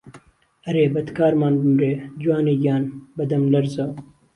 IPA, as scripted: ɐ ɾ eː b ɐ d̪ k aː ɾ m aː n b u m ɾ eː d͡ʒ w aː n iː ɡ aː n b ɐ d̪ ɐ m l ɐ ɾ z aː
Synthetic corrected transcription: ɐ ɾ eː b ɐ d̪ k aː ɾ m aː n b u m ɾ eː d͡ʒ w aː n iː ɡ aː n b ɐ d̪ ɐ m l ɐ ɾ z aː